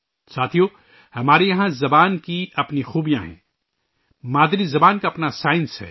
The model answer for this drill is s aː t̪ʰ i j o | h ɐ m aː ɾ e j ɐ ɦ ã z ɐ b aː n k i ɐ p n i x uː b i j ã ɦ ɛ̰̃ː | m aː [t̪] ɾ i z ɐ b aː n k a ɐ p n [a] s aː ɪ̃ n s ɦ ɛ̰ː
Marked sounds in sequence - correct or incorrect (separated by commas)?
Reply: incorrect, correct